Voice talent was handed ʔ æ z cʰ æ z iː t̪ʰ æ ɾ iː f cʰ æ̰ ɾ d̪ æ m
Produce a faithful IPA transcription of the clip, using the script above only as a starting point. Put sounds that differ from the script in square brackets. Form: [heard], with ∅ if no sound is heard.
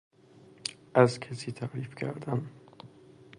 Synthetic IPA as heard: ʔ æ z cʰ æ [s] iː t̪ʰ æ ɾ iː f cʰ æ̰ ɾ d̪ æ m